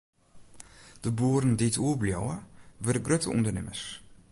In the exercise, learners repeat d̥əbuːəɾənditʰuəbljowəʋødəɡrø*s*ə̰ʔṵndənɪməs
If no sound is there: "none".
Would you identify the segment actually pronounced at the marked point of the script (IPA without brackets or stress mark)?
t